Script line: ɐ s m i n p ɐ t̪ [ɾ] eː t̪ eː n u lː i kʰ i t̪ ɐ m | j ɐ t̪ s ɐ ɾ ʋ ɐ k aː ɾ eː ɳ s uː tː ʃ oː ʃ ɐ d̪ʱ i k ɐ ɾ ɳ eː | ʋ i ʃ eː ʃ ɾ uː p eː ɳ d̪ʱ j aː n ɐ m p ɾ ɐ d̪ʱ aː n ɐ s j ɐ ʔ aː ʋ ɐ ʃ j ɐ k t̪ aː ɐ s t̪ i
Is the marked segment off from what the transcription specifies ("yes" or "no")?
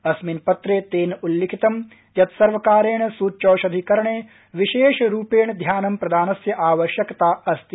no